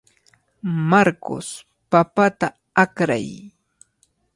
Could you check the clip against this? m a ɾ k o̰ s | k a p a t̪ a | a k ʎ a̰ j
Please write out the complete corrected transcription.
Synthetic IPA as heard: m a ɾ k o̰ s | p a p a t̪ a | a k ɾ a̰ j